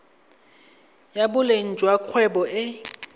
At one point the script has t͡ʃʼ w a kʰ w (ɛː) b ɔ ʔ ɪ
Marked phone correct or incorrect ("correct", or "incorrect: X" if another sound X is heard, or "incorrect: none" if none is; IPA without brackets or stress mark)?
incorrect: ɛ